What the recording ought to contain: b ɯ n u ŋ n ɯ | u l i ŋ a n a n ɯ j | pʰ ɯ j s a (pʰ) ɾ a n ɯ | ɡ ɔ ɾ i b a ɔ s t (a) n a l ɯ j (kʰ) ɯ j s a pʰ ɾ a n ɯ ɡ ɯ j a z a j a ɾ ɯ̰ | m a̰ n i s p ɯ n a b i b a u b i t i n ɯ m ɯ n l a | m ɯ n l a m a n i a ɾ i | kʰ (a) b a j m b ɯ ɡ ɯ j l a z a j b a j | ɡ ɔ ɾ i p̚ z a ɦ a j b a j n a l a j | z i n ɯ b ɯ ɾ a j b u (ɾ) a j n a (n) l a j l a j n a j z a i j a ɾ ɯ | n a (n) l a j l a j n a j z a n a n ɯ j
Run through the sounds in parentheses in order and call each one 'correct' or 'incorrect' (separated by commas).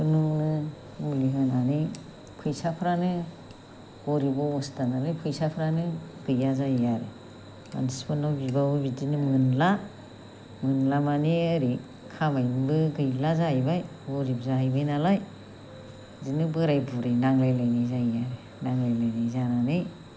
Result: correct, correct, incorrect, correct, correct, incorrect, incorrect